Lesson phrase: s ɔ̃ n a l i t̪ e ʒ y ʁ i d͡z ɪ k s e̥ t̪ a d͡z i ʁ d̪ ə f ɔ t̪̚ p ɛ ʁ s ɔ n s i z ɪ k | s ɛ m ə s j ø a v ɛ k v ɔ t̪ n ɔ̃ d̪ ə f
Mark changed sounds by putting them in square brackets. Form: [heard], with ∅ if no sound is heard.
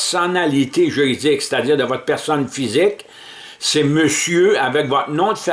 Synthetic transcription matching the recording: s [ɔ] n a l i t̪ e ʒ y ʁ i d͡z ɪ k s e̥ t̪ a d͡z [iː] ʁ d̪ ə [v] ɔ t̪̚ p ɛ ʁ s ɔ n [f] i z ɪ k | s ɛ m ə s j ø a v ɛ k v ɔ t̪ n ɔ̃ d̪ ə f